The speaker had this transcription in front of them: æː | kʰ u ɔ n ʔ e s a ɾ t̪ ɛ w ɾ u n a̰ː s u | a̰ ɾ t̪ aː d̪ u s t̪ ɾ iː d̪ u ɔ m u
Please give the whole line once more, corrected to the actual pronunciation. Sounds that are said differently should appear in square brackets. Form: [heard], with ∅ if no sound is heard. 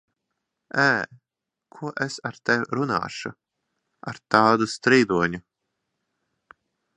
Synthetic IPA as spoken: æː | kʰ u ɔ [∅] ʔ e s a ɾ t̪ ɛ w ɾ u n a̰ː [ʃ] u | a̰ ɾ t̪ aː d̪ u s t̪ ɾ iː d̪ u ɔ [ɲ] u